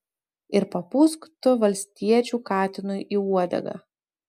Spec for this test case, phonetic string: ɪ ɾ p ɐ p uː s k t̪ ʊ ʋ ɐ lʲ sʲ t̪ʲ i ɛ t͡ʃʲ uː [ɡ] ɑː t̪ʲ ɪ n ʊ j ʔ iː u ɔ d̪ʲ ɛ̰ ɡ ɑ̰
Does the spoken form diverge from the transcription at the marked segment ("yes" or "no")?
yes